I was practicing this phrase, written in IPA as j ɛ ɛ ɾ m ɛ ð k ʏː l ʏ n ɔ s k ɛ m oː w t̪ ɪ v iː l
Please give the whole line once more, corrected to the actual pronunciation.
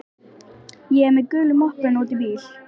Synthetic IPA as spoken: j ɛ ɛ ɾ m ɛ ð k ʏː l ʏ m ɔ h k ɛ n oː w t̪ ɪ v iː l

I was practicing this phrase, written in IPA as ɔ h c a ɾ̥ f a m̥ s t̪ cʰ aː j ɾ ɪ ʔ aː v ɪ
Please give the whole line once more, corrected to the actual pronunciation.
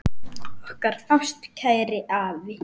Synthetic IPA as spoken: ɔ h k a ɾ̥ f a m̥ s t̪ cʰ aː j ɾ ɪ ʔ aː v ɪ

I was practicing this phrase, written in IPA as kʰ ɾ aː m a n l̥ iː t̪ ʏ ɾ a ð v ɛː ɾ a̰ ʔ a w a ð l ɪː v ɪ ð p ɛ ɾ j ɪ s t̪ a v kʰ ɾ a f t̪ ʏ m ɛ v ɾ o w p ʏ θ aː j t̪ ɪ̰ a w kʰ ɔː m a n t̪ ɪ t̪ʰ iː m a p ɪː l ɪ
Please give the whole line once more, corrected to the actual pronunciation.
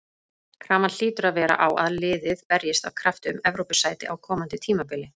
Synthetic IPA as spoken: kʰ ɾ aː m a n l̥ iː t̪ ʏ ɾ a ð v ɛː ɾ a̰ ʔ a w a ð l ɪː ð ɪ ð p ɛ ɾ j ɪ s t̪ a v kʰ ɾ a f t̪ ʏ m ɛ v ɾ o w p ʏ s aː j t̪ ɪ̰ a w kʰ ɔː m a n t̪ ɪ t̪ʰ iː m a p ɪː l ɪ

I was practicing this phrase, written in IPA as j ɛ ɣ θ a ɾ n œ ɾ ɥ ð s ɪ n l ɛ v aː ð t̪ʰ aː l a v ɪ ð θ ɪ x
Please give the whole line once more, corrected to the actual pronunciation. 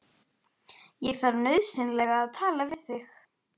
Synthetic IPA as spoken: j ɛ ɣ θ a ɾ n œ ɥ ð s ɪ n l ɛ ɣ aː ð t̪ʰ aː l a v ɪ ð θ ɪ x

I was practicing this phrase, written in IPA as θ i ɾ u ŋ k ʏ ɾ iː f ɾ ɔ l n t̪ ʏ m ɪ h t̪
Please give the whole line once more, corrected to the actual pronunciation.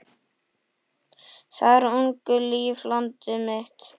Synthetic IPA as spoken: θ a ɾ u ŋ k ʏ l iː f l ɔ n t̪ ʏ m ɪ h t̪

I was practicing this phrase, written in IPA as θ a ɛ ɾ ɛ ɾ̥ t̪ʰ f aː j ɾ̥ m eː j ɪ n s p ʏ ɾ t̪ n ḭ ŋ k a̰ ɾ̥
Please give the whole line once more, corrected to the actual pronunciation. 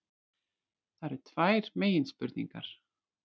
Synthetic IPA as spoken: θ a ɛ ɾ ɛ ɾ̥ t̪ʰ v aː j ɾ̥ m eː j ɪ n s p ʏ ɾ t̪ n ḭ ŋ k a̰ ɾ̥

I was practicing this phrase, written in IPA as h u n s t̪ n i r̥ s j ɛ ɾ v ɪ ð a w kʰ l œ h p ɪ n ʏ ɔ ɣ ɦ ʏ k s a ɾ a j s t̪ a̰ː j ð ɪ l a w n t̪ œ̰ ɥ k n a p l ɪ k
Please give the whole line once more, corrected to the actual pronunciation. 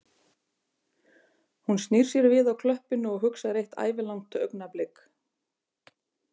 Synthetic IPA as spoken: h u n s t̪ n i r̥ s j ɛ ɾ v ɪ ð a w kʰ l œ h p ɪ n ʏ ɔ ɣ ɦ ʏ k s a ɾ e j h t̪ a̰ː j v ɪ l a w ŋ t̪ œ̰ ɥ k n a p l ɪ k

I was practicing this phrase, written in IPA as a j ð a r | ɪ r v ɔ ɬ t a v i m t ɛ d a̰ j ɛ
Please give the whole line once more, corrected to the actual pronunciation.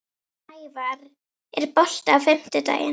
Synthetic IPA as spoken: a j v a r | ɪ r b ɔ ɬ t a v ɛ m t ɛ d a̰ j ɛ

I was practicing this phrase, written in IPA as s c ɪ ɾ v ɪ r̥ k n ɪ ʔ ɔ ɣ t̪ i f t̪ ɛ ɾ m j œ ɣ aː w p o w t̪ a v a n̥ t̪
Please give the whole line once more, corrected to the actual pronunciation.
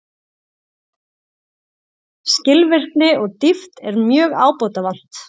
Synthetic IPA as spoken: s c ɪ l v ɪ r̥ k n ɪ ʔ ɔ ɣ t̪ i f t̪ ɛ ɾ m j œː ɣ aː w p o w t̪ a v a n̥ t̪

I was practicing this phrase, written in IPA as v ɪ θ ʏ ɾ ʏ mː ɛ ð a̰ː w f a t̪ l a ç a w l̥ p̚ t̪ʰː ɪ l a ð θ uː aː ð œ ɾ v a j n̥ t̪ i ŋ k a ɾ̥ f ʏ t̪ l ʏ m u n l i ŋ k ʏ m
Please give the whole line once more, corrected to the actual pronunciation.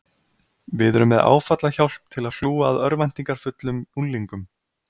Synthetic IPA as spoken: v ɪ ð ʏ ɾ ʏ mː ɛ ð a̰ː w f a t̪ l a ç a w l̥ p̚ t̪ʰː ɪ l a ð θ uː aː ð œ ɾ v a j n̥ t̪ i ŋ k a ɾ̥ f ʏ t̪ l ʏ m u n l i ŋ k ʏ m

